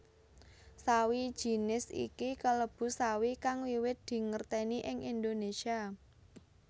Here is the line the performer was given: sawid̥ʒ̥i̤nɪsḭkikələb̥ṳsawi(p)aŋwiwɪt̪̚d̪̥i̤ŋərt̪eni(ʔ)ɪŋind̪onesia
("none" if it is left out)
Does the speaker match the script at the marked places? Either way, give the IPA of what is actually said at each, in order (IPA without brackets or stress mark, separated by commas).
k, ʔ